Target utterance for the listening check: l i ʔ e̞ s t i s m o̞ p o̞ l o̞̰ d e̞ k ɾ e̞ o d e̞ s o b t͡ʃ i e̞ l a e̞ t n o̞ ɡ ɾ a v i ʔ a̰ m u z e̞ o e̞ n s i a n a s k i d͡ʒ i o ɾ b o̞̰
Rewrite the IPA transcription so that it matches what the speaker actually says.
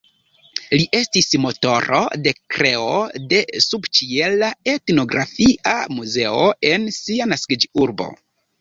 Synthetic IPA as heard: l i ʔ e̞ s t i s m o̞ t o̞ ɾ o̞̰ d e̞ k ɾ e̞ o d e̞ s u b t͡ʃ i e̞ l a e̞ t n o̞ ɡ ɾ a f i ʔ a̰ m u z e̞ o e̞ n s i a n a s k i d͡ʒ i u ɾ b o̞̰